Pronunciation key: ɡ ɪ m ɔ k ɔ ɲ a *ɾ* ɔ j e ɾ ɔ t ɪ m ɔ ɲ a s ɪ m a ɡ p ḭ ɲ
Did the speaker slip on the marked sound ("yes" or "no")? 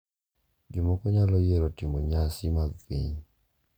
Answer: yes